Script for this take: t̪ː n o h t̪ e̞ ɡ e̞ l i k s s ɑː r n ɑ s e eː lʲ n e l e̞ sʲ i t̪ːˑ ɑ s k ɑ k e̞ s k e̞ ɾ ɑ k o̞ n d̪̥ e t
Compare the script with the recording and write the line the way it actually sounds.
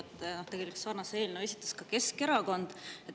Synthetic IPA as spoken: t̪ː n o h t̪ e̞ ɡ e̞ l i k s s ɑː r n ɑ s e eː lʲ n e e̞ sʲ i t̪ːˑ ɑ s k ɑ k e̞ s k e̞ ɾ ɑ k o̞ n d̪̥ e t